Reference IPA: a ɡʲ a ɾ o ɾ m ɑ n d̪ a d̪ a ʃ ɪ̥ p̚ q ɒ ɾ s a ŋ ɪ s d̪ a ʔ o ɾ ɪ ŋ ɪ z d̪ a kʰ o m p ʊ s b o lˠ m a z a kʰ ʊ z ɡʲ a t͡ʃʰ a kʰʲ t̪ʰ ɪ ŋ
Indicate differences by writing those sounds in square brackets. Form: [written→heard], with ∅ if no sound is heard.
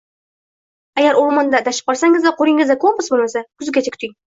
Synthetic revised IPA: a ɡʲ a ɾ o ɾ m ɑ n d̪ a d̪ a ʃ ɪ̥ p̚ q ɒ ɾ s a ŋ ɪ [s→z] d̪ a [ʔ→q] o ɾ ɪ ŋ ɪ z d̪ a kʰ o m p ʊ s b o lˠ m a [z→s] a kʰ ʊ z ɡʲ a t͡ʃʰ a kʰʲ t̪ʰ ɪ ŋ

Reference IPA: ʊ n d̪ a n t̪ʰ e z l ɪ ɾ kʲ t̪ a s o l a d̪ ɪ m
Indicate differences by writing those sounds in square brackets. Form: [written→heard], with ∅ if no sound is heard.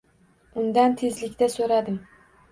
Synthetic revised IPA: ʊ n d̪ a n t̪ʰ e z l ɪ [ɾ→∅] kʲ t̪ a s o [l→ɾ] a d̪ ɪ m

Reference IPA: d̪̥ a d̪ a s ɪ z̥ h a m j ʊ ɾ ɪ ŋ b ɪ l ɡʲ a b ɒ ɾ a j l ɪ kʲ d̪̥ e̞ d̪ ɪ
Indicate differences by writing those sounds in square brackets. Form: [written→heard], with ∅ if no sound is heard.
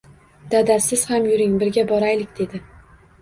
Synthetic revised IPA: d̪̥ a d̪ a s ɪ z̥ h a m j ʊ ɾ ɪ ŋ b ɪ [l→ɾ] ɡʲ a b ɒ ɾ a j l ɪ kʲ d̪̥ e̞ d̪ ɪ

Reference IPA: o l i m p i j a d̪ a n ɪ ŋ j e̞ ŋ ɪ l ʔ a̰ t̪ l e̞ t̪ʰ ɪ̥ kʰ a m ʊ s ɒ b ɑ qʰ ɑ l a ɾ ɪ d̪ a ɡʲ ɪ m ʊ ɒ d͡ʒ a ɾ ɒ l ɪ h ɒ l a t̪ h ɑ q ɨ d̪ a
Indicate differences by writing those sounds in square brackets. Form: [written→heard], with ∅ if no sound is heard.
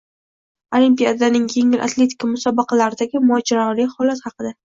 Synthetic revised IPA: o l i m p i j a d̪ a n ɪ ŋ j e̞ ŋ ɪ l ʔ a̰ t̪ l e̞ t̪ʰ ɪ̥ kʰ a m ʊ s ɒ b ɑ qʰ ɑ l a ɾ ɪ d̪ a ɡʲ ɪ m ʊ ɒ d͡ʒ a ɾ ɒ l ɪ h ɒ l a t̪ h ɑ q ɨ d̪ a

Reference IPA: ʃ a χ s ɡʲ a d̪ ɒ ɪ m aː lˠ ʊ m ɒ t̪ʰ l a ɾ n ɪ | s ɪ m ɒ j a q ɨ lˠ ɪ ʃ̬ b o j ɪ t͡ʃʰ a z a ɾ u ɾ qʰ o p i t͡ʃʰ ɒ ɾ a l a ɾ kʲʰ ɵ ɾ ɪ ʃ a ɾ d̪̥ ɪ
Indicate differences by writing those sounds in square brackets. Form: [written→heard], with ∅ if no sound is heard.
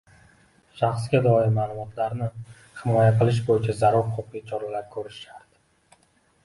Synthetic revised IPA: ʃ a χ s ɡʲ a d̪ ɒ ɪ m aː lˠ ʊ m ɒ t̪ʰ l a ɾ n ɪ | [s→h] ɪ m ɒ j a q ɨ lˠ ɪ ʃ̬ b o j ɪ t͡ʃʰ a z a ɾ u ɾ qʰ o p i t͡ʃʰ ɒ ɾ a l a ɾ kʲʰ ɵ ɾ ɪ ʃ a ɾ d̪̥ ɪ

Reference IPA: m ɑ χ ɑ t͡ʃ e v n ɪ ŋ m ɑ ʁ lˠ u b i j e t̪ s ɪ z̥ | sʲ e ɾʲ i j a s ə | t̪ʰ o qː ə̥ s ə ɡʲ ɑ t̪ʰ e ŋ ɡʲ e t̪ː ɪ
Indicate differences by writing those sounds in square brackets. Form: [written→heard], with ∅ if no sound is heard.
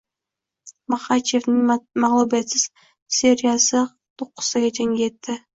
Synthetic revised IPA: m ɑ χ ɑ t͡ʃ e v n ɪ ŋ m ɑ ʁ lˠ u b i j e t̪ s ɪ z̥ | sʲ e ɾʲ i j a s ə | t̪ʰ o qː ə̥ s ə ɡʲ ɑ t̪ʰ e ŋ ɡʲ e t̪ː ɪ

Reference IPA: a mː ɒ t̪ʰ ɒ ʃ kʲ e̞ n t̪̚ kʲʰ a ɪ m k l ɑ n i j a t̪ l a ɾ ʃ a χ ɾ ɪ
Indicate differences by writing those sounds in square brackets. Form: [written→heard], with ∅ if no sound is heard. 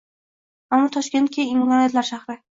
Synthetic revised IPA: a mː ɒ t̪ʰ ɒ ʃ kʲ e̞ n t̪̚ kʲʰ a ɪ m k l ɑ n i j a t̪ l a ɾ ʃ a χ ɾ ɪ

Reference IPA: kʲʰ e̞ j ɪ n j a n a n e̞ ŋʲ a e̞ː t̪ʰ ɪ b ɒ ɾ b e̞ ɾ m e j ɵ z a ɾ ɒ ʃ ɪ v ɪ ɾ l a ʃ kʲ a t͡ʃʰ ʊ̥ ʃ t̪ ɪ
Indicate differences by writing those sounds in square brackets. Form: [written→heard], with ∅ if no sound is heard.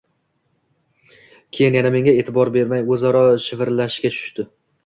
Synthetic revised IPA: kʲʰ e̞ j ɪ n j a n a [n→m] e̞ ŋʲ a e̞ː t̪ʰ ɪ b ɒ ɾ b e̞ ɾ m [e→a] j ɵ z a ɾ ɒ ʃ ɪ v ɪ ɾ l a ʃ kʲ a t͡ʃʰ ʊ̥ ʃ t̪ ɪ

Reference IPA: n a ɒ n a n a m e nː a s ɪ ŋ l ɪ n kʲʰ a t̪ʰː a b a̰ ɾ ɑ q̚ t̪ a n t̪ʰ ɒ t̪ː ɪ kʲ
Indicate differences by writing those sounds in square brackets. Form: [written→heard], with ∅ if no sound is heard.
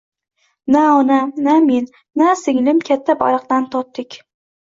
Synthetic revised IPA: n a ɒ n a n a m e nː a s ɪ ŋ l ɪ [n→m] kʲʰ a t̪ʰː a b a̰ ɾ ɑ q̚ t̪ a n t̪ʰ ɒ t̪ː ɪ kʲ

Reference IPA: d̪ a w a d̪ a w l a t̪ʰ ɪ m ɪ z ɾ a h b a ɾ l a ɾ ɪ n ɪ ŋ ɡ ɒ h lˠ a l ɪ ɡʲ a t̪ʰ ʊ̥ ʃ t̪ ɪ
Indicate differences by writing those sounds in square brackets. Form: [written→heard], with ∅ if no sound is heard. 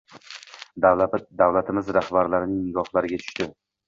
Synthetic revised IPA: d̪ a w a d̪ a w l a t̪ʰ ɪ m ɪ z ɾ a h b a ɾ l a ɾ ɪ n ɪ ŋ ɡ ɒ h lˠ a [l→ɾ] ɪ ɡʲ a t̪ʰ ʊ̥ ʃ t̪ ɪ

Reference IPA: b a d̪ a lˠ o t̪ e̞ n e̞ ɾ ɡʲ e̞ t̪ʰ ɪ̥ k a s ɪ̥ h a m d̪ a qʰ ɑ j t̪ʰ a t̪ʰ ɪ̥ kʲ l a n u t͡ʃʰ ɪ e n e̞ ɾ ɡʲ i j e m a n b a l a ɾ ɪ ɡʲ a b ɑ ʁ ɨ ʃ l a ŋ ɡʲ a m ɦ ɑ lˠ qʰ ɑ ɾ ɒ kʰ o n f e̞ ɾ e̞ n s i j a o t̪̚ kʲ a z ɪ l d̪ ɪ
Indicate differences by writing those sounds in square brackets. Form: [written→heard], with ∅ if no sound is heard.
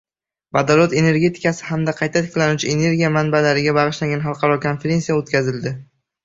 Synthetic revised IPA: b a d̪ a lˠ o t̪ e̞ n e̞ ɾ ɡʲ e̞ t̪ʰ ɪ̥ k a s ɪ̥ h a m d̪ a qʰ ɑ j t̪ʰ a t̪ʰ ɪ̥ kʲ l a n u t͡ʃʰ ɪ e n e̞ ɾ ɡʲ i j [e→a] m a n b a l a ɾ ɪ ɡʲ a b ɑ ʁ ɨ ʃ l a ŋ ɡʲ a [m→n] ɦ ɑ lˠ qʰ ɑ ɾ ɒ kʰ o n f e̞ ɾ e̞ n s i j a o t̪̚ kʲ a z ɪ l d̪ ɪ

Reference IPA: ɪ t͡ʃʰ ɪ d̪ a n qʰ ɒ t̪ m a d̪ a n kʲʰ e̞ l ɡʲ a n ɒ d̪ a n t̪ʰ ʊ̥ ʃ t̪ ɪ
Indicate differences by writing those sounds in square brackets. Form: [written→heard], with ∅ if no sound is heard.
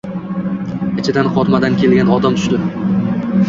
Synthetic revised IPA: ɪ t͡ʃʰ ɪ d̪ a n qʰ ɒ t̪ m a d̪ a n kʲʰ e̞ l ɡʲ a n ɒ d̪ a [n→m] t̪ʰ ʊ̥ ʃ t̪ ɪ

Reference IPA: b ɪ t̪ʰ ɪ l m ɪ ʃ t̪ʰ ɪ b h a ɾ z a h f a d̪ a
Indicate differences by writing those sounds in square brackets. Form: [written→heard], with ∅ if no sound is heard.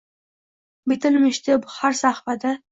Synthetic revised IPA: b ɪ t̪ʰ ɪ l m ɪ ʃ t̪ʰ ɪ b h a ɾ [z→s] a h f a d̪ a

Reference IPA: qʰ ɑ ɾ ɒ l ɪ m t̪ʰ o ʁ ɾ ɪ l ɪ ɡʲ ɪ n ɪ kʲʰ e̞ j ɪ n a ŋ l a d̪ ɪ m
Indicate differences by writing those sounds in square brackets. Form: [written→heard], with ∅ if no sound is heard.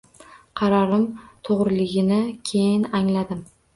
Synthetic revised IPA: qʰ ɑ ɾ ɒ [l→ɾ] ɪ m t̪ʰ o ʁ ɾ ɪ l ɪ ɡʲ ɪ n ɪ kʲʰ e̞ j ɪ n a ŋ l a d̪ ɪ m

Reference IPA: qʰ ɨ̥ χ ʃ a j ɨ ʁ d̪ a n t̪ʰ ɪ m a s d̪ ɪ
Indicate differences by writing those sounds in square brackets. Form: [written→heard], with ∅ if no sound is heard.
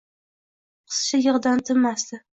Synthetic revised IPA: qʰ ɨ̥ [χ→s] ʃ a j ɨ ʁ d̪ a n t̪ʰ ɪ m a s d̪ ɪ

